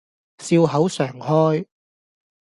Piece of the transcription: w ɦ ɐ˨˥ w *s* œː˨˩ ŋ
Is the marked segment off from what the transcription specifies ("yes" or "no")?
no